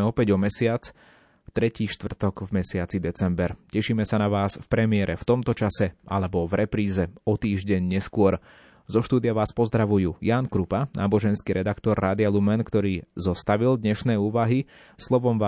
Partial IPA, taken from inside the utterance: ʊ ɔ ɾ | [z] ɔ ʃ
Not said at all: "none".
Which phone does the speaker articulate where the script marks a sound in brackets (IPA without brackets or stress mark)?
z